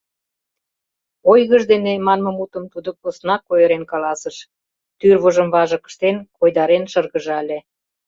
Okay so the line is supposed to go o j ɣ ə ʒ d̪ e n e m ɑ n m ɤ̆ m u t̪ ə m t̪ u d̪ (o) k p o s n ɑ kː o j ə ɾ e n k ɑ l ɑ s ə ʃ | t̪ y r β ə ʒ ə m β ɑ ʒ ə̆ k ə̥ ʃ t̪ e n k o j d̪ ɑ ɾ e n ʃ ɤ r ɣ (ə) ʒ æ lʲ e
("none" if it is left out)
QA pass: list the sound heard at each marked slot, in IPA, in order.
o, ə

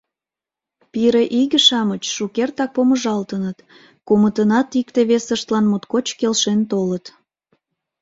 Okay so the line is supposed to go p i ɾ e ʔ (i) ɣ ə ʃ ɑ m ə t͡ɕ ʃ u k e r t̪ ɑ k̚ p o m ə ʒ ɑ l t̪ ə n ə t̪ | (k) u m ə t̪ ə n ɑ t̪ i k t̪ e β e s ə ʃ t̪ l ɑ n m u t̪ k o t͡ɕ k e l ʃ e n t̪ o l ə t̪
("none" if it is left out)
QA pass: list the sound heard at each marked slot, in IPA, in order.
i, k

